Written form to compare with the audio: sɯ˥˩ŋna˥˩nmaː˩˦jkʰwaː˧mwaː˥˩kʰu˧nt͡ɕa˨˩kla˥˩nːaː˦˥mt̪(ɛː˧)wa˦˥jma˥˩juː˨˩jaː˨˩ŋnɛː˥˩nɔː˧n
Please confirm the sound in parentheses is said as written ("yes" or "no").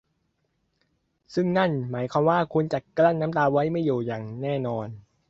no